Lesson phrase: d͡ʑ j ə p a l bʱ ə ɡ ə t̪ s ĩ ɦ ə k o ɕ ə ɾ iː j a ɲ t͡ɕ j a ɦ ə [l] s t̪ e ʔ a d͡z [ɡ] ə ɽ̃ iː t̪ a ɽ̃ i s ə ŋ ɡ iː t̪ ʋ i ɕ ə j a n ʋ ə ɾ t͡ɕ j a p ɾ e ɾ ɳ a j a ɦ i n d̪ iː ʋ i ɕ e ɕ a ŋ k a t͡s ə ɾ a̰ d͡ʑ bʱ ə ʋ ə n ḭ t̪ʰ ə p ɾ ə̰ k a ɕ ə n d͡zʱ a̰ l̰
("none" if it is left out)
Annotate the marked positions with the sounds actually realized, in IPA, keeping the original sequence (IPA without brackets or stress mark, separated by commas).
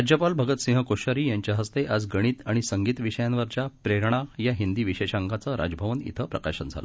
none, ɡ